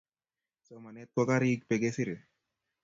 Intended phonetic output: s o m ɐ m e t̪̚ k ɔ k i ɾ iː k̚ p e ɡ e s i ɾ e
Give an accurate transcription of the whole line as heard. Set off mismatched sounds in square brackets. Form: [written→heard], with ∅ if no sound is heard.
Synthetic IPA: s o m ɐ [m→n] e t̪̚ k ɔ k [i→a] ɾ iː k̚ p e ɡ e s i ɾ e